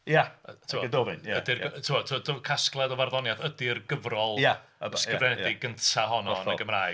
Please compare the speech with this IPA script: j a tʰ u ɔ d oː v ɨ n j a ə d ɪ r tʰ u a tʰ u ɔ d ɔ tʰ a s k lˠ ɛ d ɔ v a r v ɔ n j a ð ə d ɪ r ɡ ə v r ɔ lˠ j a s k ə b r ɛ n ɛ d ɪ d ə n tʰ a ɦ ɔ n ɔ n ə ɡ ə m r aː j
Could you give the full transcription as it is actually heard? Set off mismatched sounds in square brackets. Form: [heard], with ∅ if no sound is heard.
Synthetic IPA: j a tʰ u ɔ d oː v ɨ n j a ə d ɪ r tʰ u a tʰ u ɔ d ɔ [kʰ] a s k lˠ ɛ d ɔ v a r [ð] ɔ n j a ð ə d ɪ r ɡ ə v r ɔ lˠ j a s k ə [v] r ɛ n ɛ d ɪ [ɡ] ə n tʰ a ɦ ɔ n ɔ n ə ɡ ə m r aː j